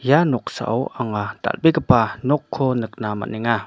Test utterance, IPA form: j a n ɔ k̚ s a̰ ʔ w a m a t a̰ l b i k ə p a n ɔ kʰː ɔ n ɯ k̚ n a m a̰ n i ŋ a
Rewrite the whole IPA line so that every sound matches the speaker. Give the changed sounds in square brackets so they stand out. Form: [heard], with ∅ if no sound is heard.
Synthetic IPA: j a n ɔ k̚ s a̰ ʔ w a [ŋ] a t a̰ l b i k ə p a n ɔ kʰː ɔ n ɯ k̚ n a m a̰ n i ŋ a